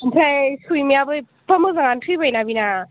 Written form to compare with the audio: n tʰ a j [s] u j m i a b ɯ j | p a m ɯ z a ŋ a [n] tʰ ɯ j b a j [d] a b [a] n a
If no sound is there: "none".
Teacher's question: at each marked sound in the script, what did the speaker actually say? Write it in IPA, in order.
s, n, n, i

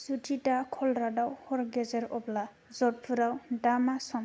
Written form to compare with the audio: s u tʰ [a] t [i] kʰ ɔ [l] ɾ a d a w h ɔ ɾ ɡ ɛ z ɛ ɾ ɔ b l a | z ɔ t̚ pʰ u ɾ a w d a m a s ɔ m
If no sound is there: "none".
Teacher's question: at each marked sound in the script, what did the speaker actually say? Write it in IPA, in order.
i, a, l

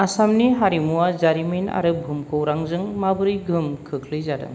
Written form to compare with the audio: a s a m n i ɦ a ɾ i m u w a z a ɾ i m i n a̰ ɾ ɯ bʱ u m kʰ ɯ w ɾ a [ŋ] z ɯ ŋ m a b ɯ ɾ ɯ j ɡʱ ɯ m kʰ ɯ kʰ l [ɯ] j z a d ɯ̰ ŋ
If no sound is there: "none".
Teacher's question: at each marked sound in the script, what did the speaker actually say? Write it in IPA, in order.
ŋ, ɯ

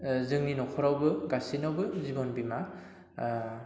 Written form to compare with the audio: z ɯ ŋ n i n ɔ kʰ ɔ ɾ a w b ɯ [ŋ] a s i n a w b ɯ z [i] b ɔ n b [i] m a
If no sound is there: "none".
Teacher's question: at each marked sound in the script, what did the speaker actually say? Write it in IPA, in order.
ɡ, i, i

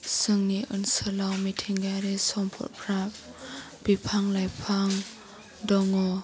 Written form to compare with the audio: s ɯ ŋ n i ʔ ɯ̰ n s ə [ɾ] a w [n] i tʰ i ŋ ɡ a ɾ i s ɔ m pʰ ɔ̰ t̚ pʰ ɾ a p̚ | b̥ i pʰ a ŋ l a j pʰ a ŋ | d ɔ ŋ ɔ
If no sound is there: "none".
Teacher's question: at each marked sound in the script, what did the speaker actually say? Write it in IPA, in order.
l, m

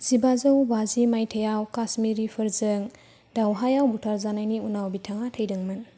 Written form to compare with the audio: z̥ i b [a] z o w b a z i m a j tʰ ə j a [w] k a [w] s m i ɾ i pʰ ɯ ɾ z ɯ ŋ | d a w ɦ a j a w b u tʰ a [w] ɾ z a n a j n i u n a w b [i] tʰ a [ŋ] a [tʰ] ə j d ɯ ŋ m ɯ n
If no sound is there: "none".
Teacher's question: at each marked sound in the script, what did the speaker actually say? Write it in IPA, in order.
a, w, none, none, i, ŋ, tʰ

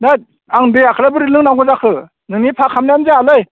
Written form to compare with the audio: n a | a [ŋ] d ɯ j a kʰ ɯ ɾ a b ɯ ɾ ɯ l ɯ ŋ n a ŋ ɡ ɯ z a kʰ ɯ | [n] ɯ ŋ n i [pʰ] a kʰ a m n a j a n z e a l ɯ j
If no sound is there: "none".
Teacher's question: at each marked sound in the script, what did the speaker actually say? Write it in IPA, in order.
ŋ, n, pʰ

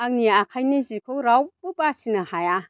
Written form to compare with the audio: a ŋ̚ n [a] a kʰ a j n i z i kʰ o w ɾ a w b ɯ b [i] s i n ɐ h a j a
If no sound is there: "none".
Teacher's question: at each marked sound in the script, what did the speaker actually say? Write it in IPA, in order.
i, a

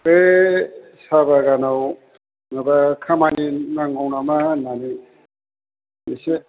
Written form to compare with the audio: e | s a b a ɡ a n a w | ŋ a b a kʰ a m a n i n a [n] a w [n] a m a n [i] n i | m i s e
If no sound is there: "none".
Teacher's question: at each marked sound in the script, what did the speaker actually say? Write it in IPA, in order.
ŋ, n, a

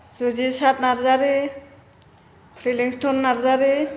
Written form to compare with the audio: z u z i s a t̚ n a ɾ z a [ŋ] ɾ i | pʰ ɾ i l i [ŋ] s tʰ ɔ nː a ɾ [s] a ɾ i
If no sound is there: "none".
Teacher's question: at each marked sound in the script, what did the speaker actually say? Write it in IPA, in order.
none, ŋ, z

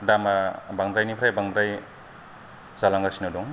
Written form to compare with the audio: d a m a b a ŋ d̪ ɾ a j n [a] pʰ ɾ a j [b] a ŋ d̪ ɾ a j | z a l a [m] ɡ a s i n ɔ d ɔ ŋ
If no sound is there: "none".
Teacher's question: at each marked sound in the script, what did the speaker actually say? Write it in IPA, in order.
i, b, ŋ

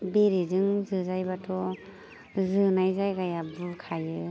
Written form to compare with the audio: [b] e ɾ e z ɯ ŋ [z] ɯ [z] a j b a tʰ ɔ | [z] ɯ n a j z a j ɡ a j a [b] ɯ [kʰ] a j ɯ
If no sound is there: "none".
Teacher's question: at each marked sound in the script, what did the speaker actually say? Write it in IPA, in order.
b, z, z, z, b, kʰ

